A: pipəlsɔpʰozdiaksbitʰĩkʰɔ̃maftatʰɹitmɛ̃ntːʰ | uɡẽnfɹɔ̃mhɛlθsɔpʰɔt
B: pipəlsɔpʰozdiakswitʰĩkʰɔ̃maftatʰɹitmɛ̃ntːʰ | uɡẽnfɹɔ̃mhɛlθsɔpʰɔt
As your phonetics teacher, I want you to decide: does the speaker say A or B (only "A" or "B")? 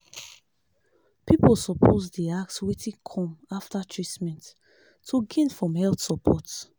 B